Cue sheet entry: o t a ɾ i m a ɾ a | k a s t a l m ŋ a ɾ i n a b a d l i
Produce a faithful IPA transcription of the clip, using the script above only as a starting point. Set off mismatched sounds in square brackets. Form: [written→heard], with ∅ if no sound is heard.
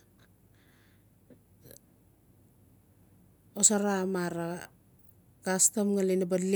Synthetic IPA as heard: o [t→s] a ɾ [i→a] m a ɾ a | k a s t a [l→∅] m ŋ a [ɾ→l] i n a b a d l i